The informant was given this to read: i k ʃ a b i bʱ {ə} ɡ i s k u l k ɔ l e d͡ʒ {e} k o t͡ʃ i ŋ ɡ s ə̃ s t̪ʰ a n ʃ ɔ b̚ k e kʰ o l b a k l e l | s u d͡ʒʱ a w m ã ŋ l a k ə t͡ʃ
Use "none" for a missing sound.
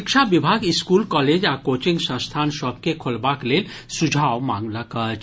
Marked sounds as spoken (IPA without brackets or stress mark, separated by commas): a, a